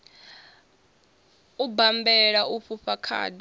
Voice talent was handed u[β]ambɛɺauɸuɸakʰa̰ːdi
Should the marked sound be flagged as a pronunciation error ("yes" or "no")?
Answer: yes